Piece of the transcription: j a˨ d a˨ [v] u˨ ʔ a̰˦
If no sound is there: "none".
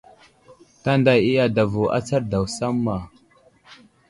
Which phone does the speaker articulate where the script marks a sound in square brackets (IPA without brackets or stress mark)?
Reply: v